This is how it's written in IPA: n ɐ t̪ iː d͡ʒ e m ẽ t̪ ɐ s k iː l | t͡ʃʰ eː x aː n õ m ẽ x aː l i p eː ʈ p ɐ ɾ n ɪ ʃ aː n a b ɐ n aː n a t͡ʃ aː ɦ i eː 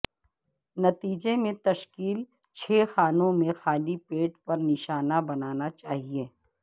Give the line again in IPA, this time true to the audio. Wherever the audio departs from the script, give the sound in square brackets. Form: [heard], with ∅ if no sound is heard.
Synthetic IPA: n ɐ t̪ iː d͡ʒ e m ẽ t̪ ɐ [ʃ] k iː l | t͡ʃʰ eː x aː n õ m ẽ x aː l i p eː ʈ p ɐ ɾ n ɪ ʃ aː n a b ɐ n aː n a t͡ʃ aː ɦ i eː